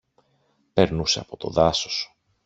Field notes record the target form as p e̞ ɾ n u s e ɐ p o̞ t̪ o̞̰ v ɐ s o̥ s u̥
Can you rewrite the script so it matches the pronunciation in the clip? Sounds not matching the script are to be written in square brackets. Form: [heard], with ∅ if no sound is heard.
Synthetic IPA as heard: p e̞ ɾ n u s e ɐ p o̞ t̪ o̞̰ [ð] ɐ s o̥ s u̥